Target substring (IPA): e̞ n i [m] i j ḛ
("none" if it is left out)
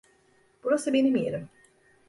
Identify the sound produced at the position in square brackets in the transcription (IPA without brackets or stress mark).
m